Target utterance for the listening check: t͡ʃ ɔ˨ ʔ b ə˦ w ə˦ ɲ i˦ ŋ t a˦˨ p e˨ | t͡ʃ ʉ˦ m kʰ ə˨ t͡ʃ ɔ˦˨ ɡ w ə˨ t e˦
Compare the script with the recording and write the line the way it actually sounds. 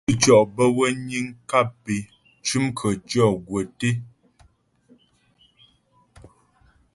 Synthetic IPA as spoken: t͡ʃ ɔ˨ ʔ b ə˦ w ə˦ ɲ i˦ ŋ k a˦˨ p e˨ | t͡ʃ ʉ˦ m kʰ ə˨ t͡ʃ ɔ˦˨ ɡ w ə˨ t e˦